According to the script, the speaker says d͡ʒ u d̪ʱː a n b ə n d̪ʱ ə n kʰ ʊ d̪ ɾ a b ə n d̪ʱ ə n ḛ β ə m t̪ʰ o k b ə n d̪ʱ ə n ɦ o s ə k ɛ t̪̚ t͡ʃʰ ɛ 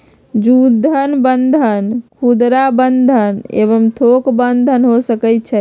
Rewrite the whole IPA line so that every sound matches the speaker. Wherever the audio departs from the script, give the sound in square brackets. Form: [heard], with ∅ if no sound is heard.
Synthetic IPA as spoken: d͡ʒ u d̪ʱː [ə] n b ə n d̪ʱ ə n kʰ [u] d̪ ɾ a b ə n d̪ʱ ə n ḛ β ə m t̪ʰ o k b ə n d̪ʱ ə n ɦ o s ə k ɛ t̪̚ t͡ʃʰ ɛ